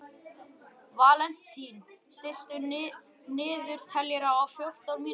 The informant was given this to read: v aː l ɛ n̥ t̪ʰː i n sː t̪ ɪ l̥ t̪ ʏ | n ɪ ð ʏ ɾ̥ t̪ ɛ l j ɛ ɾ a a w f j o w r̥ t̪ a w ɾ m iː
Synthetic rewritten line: v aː l ɛ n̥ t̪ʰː i n s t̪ ɪ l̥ t̪ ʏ | n ɪː ð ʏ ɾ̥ t̪ʰ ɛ l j ɛ ɾ a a w f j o w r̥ t̪ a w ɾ m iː